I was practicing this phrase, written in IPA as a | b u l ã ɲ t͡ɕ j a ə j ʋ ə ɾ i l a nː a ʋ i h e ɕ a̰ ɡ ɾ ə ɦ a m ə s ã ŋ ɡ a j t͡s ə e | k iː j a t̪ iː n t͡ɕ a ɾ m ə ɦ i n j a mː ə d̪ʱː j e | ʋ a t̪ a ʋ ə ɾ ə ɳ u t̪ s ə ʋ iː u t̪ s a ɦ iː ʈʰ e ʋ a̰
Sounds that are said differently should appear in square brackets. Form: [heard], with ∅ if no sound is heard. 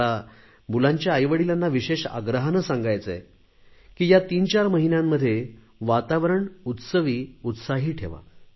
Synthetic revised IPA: a | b u l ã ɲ t͡ɕ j a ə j ʋ ə [ɽ] i l a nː a ʋ i [ɕ] e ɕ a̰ ɡ ɾ ə ɦ a [n] ə s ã ŋ ɡ a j t͡s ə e | k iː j a t̪ iː n t͡ɕ a ɾ m ə ɦ i n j a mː ə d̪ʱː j e | ʋ a t̪ a ʋ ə ɾ ə ɳ u t̪ s ə ʋ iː u t̪ s a ɦ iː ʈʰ e ʋ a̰

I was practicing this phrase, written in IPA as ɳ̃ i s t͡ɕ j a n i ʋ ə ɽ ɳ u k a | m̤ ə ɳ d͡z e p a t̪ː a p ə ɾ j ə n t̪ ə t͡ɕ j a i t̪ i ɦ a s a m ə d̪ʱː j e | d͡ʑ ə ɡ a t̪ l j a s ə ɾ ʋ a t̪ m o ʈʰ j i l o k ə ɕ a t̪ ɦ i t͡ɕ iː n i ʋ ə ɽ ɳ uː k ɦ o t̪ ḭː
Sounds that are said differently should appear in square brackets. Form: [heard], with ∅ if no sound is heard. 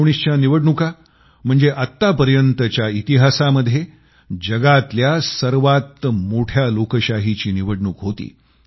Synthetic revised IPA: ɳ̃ i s t͡ɕ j a n i ʋ ə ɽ ɳ u k a | m̤ ə ɳ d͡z e [ʔ] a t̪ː a p ə ɾ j ə n t̪ ə t͡ɕ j a i t̪ i ɦ a s a m ə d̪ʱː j e | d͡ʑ ə ɡ a t̪ l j a s ə ɾ ʋ a t̪ m o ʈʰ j [a] l o k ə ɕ a [∅] ɦ i t͡ɕ iː n i ʋ ə ɽ ɳ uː k ɦ o t̪ ḭː

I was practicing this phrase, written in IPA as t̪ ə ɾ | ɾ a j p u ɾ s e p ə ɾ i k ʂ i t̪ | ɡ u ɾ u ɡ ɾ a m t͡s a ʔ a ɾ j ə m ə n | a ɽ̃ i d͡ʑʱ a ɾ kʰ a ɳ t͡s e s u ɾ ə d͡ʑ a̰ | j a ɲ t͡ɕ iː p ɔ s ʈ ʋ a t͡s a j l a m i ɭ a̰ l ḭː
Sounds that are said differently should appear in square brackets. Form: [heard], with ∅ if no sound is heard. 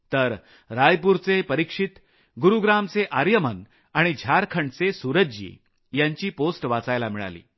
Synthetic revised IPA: t̪ ə ɾ | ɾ a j p u ɾ [t͡s] e p ə ɾ i k ʂ i t̪ | ɡ u ɾ u ɡ ɾ a m t͡s [e] ʔ a ɾ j ə m ə n | a ɽ̃ i d͡ʑʱ a ɾ kʰ [ə] ɳ t͡s e s u ɾ ə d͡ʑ [ḭ] | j a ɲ t͡ɕ iː p [o] s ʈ ʋ a t͡s a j l a m i ɭ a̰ l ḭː

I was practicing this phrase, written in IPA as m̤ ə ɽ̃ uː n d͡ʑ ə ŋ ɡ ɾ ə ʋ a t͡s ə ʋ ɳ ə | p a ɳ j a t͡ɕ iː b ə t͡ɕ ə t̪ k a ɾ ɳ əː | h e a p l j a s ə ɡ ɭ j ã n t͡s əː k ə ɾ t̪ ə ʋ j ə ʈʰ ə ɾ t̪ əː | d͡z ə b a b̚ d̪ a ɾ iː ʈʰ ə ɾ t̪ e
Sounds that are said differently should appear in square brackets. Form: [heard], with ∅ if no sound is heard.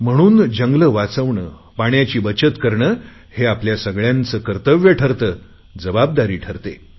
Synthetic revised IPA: m̤ ə ɽ̃ uː n d͡ʑ ə ŋ ɡ [l] ə ʋ a t͡s ə ʋ ɳ ə | p a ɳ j a t͡ɕ iː b ə t͡ɕ ə t̪ k [ə] ɾ ɳ əː | h e a p l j a s ə ɡ ɭ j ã n t͡s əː k ə ɾ t̪ ə ʋ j ə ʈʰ ə ɾ t̪ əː | d͡z ə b a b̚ d̪ a ɾ iː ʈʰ ə ɾ t̪ e

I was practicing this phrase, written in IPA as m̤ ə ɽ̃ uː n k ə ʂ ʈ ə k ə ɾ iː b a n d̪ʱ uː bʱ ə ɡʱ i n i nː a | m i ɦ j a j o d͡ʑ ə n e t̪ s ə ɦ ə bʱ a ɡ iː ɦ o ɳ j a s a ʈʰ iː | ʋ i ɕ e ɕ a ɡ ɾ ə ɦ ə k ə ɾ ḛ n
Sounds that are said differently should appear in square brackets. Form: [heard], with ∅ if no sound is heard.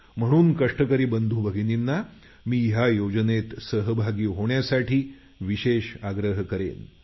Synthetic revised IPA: m̤ ə ɽ̃ uː n k ə ʂ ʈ ə k ə ɾ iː b [ə] n d̪ʱ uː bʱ ə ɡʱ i n i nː a | m [iː] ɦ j a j o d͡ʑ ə n e t̪ s ə ɦ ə bʱ a ɡ iː ɦ o ɳ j a s a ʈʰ iː | ʋ i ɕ e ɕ a ɡ ɾ ə ɦ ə k ə ɾ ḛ n

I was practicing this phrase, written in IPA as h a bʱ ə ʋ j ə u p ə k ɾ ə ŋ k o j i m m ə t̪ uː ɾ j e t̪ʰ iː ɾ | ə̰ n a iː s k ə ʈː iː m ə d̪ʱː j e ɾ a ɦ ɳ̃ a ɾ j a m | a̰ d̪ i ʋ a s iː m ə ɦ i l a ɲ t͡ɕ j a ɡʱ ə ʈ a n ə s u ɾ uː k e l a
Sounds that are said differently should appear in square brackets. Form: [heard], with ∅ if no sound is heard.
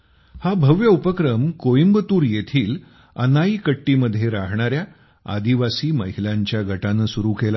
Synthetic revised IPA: h a bʱ ə ʋ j ə u p ə k ɾ ə [m] k o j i m [b] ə t̪ uː ɾ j e t̪ʰ iː [l] | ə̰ n a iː [∅] k ə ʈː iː m ə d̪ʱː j e ɾ a ɦ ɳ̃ a ɾ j a [∅] | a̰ d̪ i ʋ a s iː m ə ɦ i l a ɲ t͡ɕ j a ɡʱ ə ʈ a n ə s u ɾ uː k e l a

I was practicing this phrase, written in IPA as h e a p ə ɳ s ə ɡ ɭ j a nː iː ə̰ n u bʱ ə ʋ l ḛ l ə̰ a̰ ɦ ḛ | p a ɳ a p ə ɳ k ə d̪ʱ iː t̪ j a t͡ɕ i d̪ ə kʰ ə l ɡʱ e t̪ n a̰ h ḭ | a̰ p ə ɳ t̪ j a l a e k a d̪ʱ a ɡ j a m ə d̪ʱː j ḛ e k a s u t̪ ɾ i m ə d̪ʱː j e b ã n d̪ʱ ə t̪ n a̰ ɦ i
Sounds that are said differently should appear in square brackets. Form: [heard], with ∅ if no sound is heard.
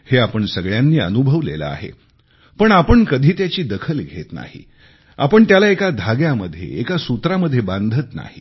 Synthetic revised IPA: h e a p ə ɳ s ə ɡ ɭ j a nː iː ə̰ n u bʱ ə ʋ l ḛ l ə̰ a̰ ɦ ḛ | p [ə] ɳ a p ə ɳ k ə d̪ʱ iː t̪ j a t͡ɕ [iː] d̪ ə kʰ ə l ɡʱ e t̪ n a̰ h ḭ | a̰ p ə ɳ t̪ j a l a e k a d̪ʱ a ɡ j a m ə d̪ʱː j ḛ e k a s u t̪ ɾ [a] m ə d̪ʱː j e b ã n d̪ʱ ə t̪ n a̰ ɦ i

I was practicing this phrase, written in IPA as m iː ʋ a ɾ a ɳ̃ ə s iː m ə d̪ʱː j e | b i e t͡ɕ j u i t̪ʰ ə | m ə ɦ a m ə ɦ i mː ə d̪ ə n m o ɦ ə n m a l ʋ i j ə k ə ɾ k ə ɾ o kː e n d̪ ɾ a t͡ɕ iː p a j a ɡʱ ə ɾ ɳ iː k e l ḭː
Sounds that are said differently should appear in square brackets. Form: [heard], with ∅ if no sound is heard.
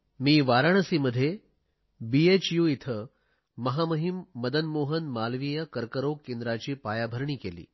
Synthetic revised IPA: m iː ʋ a ɾ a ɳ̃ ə s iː m ə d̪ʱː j e | b i e t͡ɕ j u i t̪ʰ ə | m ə ɦ a m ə ɦ i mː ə d̪ ə n m o ɦ ə n m a l ʋ i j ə k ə ɾ k ə ɾ o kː e n d̪ ɾ a t͡ɕ iː p a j a [bʱ] ə ɾ ɳ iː k e l ḭː

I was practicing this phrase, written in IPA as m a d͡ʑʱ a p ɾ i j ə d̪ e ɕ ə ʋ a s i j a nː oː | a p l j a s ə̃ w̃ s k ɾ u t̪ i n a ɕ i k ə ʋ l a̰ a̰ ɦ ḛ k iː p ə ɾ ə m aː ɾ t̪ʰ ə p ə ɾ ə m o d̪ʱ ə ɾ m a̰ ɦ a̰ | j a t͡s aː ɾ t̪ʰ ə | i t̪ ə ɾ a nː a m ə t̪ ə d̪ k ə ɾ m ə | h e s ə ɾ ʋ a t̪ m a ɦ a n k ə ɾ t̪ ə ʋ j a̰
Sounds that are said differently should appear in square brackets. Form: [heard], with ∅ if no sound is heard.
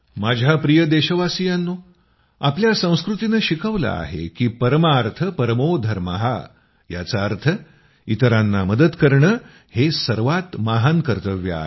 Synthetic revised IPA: m a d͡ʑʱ a p ɾ i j ə d̪ e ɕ ə ʋ a s i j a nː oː | a p l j a s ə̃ w̃ s k ɾ u t̪ i n [ə] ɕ i k ə ʋ l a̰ a̰ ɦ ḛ k iː p ə ɾ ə m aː ɾ t̪ʰ ə p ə ɾ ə m o d̪ʱ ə ɾ m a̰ ɦ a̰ | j a t͡s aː ɾ t̪ʰ ə | i t̪ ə ɾ a nː a m ə [d̪] ə d̪ k ə ɾ [ɳ] ə | h e s ə ɾ ʋ a t̪ m a ɦ a n k ə ɾ t̪ ə ʋ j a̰

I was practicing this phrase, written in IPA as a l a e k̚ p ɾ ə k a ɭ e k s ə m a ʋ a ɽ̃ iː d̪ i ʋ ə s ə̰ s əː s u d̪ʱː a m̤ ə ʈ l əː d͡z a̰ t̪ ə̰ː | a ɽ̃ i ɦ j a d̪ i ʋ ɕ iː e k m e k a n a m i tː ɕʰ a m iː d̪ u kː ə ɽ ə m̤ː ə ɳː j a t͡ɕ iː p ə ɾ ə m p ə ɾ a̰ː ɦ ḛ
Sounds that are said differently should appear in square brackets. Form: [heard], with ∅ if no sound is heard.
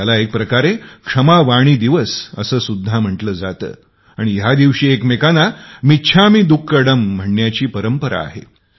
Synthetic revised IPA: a l a e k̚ p ɾ ə k a [ɾ] e k [ʂ] ə m a ʋ a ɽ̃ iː d̪ i ʋ ə s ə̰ s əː s u d̪ʱː a m̤ ə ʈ l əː d͡z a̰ t̪ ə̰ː | a ɽ̃ i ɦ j a d̪ i ʋ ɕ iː e k m e k a n a m i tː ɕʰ a m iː d̪ u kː ə ɽ ə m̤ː ə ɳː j a t͡ɕ iː p ə ɾ ə m p ə ɾ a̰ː ɦ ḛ

